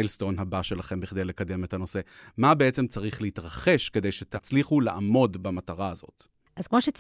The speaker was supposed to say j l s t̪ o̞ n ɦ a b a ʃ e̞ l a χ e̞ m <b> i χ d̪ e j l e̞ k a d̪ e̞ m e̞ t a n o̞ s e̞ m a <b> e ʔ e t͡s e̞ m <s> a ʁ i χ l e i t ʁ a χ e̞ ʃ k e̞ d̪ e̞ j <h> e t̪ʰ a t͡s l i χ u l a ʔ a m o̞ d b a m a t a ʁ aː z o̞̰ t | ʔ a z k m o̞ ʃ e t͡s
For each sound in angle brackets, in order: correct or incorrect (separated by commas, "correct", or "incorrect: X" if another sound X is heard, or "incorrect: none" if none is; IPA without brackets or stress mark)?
correct, correct, incorrect: t͡s, incorrect: ʃ